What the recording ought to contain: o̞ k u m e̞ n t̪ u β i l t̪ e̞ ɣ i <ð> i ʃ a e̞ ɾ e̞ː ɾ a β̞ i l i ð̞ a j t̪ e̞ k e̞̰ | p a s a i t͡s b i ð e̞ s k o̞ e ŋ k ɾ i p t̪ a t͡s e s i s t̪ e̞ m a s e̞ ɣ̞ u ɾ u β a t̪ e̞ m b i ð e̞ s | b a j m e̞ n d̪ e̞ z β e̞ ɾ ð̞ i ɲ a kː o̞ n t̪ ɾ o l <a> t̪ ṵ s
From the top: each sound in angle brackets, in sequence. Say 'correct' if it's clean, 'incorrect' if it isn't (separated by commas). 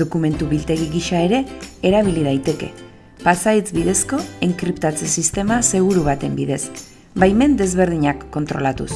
incorrect, correct